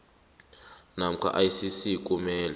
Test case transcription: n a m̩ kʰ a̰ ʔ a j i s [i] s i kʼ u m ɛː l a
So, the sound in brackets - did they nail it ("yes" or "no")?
yes